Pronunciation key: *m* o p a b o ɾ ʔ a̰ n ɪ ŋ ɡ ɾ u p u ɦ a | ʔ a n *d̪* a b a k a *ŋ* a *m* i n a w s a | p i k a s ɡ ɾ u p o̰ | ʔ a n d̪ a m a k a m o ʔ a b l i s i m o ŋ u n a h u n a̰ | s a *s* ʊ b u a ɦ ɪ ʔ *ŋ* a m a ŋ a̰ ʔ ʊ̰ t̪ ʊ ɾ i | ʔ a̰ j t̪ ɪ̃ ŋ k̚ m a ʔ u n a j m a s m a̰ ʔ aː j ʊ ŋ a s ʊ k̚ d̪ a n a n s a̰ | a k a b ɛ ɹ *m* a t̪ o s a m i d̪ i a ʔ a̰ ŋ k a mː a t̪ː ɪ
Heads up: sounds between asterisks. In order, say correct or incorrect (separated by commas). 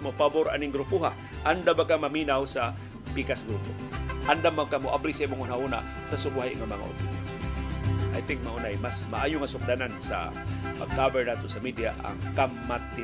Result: correct, correct, incorrect, correct, correct, correct, incorrect